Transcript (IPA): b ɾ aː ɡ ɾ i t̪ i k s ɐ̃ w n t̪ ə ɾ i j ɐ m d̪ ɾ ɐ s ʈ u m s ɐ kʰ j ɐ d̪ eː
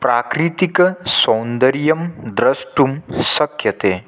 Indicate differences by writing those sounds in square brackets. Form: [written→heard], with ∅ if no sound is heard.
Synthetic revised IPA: [b→p] ɾ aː [ɡ→k] ɾ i t̪ i k s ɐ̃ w n [t̪→d̪] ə ɾ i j ɐ m d̪ ɾ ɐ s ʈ u m s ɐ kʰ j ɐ [d̪→t̪] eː

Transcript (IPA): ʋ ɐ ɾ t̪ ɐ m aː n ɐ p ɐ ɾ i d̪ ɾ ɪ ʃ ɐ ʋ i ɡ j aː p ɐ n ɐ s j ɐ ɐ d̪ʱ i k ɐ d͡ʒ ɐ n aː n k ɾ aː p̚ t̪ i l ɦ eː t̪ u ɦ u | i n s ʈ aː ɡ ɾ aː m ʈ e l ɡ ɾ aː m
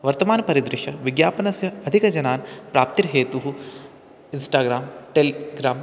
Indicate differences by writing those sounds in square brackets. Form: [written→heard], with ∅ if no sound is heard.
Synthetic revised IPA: ʋ ɐ ɾ t̪ ɐ m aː n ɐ p ɐ ɾ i d̪ ɾ ɪ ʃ ɐ ʋ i ɡ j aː p ɐ n ɐ s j ɐ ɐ d̪ʱ i k ɐ d͡ʒ ɐ n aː n [k→p] ɾ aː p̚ t̪ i [l→ɾ] ɦ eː t̪ u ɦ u | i n s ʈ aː ɡ ɾ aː m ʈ e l ɡ ɾ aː m

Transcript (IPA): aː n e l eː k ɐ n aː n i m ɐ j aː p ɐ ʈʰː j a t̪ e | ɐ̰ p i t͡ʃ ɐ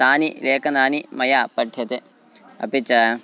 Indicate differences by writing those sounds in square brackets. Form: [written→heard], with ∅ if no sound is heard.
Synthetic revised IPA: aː n [e→i] l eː k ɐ n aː n i m ɐ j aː p ɐ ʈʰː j [a→ɐ] t̪ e | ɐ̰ p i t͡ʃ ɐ

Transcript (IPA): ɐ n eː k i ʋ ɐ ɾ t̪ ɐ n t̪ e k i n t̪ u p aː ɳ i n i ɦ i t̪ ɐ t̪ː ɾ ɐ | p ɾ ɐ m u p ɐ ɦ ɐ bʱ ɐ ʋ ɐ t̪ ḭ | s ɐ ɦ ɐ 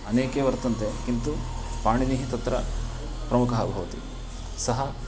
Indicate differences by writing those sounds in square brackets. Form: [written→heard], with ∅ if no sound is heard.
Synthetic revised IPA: ɐ n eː k [i→e] ʋ ɐ ɾ t̪ ɐ n t̪ e k i n t̪ u p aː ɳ i n i ɦ i t̪ ɐ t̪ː ɾ ɐ | p ɾ ɐ m u [p→k] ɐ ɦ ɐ bʱ ɐ ʋ ɐ t̪ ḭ | s ɐ ɦ ɐ

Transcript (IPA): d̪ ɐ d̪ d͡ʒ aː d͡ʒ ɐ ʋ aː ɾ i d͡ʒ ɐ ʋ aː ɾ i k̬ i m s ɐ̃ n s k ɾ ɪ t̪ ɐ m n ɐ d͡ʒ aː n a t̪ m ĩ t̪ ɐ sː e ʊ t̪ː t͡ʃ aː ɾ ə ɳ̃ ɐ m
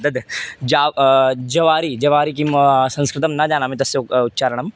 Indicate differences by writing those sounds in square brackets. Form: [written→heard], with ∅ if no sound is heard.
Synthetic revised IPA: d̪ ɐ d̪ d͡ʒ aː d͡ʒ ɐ ʋ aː ɾ i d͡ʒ ɐ ʋ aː ɾ i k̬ i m s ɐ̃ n s k ɾ ɪ t̪ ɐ m n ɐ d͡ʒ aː n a [t̪→∅] m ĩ t̪ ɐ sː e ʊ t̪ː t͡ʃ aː ɾ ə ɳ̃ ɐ m

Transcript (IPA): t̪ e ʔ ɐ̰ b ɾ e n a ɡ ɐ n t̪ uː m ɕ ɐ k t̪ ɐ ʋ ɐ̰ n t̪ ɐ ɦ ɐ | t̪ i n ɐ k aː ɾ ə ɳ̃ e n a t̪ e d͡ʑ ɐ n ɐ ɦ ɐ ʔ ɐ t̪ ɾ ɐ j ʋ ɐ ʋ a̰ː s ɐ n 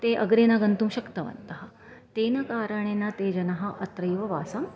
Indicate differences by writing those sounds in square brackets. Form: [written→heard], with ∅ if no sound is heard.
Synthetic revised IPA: t̪ e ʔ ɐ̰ [b→ɡ] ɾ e n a ɡ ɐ n t̪ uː m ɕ ɐ k t̪ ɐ ʋ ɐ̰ n t̪ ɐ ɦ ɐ | t̪ [i→e] n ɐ k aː ɾ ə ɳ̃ e n a t̪ e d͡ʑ ɐ n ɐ ɦ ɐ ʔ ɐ t̪ ɾ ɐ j ʋ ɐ ʋ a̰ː s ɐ [n→m]

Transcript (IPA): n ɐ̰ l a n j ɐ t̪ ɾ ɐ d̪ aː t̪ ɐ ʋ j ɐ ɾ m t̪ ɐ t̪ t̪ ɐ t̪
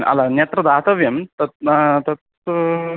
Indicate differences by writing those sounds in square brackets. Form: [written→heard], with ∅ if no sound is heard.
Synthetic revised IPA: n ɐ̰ l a n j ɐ t̪ ɾ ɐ d̪ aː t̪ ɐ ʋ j ɐ [ɾ→∅] m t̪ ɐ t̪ t̪ ɐ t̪

